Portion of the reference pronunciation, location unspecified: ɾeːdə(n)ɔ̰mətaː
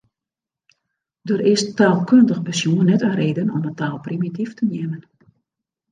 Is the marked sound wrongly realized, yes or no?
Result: no